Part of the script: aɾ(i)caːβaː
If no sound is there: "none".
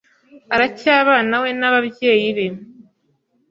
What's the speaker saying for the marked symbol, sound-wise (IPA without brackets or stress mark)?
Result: a